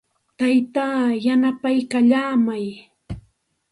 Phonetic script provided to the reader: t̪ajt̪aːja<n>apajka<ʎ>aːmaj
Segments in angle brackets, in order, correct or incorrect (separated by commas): correct, correct